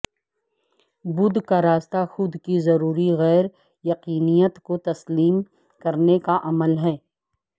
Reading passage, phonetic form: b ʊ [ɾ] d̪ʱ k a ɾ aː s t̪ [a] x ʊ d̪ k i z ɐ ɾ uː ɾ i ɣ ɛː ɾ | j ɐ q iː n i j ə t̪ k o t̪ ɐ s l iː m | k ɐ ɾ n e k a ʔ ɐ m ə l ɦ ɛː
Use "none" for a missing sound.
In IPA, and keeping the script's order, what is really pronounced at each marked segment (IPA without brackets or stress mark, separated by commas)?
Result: none, a